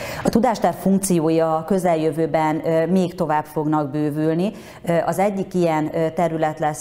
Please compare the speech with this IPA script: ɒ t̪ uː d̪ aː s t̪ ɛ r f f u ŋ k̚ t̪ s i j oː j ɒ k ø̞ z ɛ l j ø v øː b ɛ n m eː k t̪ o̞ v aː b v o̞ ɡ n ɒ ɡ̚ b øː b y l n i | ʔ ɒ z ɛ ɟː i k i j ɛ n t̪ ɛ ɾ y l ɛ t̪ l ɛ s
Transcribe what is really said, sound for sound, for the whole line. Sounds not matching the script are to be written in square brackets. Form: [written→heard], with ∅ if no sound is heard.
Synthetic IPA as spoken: ɒ t̪ [uː→u] d̪ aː [s→ʃ] t̪ ɛ r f f u ŋ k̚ t̪ s i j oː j ɒ k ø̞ z ɛ l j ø v øː b ɛ n m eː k t̪ o̞ v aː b [v→f] o̞ ɡ n ɒ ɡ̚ b øː [b→v] y l n i | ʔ ɒ z ɛ ɟː i k i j ɛ n t̪ ɛ ɾ y l ɛ t̪ l ɛ s